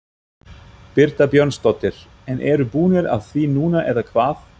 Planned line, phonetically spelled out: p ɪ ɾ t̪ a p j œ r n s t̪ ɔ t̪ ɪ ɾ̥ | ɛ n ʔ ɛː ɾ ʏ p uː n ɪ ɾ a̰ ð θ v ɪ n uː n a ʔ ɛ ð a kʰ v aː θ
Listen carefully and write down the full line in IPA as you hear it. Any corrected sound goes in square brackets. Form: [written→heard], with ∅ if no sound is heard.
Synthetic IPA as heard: p ɪ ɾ t̪ a p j œ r n s t̪ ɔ t̪ ɪ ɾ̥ | ɛ n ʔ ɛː ɾ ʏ p uː n ɪ ɾ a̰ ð θ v [ɪ→i] n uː n a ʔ ɛ ð a kʰ v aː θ